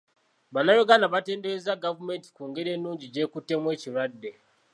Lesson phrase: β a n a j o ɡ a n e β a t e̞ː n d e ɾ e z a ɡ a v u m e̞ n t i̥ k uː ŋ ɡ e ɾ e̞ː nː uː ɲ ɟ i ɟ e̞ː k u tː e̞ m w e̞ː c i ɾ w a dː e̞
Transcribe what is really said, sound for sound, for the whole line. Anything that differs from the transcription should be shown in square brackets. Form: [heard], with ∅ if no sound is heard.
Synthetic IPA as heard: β a n a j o ɡ a n [a] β a t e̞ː n d e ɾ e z a ɡ a v u m e̞ n t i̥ k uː ŋ ɡ e ɾ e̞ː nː uː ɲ ɟ i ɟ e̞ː k u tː e̞ m w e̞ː c i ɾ w a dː e̞